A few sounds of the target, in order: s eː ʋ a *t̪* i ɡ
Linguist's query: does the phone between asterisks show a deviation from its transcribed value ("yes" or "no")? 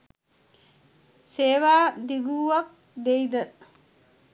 yes